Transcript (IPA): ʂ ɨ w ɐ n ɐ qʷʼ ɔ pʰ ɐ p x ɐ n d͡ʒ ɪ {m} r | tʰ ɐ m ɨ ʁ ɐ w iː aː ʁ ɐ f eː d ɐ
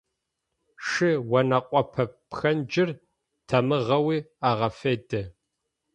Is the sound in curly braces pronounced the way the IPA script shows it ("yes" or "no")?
no